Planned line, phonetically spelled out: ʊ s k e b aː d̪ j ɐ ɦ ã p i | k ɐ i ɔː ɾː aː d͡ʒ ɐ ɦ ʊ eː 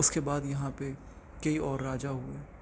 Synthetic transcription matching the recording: ʊ s k e b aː d̪ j ɐ ɦ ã p e | k ɐ i ɔː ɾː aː d͡ʒ a ɦ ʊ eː